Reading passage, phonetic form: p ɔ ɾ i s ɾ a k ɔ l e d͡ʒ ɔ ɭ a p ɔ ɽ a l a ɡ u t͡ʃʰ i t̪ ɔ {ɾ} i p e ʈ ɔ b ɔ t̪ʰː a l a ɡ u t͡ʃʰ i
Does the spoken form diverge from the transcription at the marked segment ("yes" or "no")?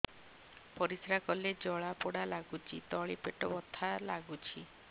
yes